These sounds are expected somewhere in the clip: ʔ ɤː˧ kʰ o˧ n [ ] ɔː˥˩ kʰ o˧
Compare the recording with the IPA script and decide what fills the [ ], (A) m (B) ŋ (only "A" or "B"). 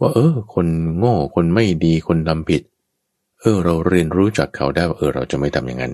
B